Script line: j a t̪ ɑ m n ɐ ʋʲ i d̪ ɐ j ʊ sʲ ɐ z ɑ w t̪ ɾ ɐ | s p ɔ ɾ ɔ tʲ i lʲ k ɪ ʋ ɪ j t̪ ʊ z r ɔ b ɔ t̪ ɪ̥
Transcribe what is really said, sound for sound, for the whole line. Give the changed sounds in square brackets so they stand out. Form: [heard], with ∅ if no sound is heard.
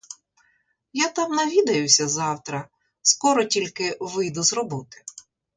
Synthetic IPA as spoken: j a t̪ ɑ m n ɐ ʋʲ i d̪ ɐ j ʊ sʲ ɐ z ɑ w t̪ ɾ ɐ | s [k] ɔ ɾ ɔ tʲ i lʲ k ɪ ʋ ɪ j [d̪] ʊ z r ɔ b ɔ t̪ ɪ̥